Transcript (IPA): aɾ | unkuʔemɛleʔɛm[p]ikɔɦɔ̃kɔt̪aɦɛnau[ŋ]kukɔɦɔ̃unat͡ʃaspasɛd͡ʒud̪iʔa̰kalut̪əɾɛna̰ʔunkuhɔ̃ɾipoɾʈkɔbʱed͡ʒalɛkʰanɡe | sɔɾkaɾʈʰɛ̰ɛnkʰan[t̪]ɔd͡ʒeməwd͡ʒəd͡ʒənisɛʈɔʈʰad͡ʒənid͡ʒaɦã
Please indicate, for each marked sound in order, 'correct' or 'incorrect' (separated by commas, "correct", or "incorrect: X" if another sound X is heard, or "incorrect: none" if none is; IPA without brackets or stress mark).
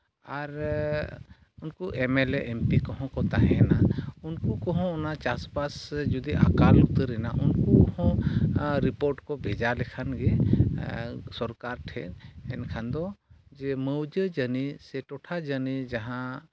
correct, incorrect: n, incorrect: d̪